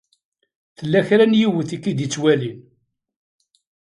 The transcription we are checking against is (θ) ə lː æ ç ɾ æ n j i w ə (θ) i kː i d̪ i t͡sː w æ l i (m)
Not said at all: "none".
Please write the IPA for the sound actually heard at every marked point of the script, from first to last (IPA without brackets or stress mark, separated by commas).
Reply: θ, θ, n